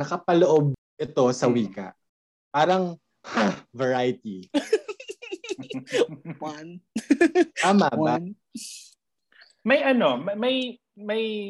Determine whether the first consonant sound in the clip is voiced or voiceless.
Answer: voiced